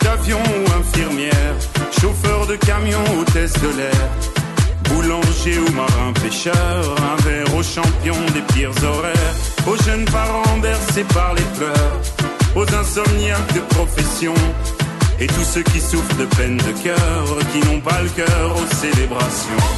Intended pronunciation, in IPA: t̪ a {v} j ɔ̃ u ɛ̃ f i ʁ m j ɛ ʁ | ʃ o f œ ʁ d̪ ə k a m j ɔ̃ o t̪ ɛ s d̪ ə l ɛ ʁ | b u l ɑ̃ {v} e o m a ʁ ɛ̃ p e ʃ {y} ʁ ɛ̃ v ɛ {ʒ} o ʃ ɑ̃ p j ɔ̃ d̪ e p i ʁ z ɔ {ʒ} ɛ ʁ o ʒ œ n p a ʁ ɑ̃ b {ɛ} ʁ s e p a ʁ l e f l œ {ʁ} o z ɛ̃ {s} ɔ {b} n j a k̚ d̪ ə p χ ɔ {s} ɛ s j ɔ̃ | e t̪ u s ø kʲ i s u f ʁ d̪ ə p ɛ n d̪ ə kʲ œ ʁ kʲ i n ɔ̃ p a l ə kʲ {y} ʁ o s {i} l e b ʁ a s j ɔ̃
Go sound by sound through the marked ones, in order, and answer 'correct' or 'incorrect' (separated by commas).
correct, incorrect, incorrect, incorrect, incorrect, correct, correct, correct, incorrect, incorrect, incorrect, incorrect